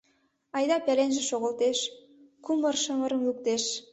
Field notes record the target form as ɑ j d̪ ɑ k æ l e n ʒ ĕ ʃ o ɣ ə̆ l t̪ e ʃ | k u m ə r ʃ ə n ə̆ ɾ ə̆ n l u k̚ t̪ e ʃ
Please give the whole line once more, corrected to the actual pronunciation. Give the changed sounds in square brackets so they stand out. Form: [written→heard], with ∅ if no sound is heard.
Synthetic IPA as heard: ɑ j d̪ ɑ [k→p] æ l e n ʒ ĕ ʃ o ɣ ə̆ l t̪ e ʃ | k u m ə r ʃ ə [n→m] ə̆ ɾ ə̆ [n→m] l u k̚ t̪ e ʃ